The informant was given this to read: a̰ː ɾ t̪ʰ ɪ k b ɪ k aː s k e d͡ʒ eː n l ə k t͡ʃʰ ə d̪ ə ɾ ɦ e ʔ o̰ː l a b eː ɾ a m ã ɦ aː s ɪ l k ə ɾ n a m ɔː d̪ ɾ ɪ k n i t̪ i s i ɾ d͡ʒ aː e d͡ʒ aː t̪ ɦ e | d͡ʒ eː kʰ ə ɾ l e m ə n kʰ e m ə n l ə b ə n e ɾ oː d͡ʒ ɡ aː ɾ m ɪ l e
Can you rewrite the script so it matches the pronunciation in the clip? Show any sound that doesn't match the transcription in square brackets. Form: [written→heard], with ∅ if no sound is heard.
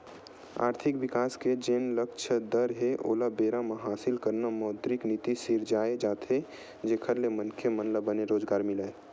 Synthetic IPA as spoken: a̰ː ɾ t̪ʰ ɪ k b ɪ k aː s k e d͡ʒ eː n l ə k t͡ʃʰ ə d̪ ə ɾ ɦ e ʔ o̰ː l a b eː ɾ a m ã ɦ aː s ɪ l k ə ɾ n a m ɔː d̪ ɾ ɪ k n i t̪ i s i ɾ d͡ʒ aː e d͡ʒ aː t̪ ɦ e | d͡ʒ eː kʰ ə ɾ l e m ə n kʰ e m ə n l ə b ə n e ɾ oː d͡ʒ ɡ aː ɾ m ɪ l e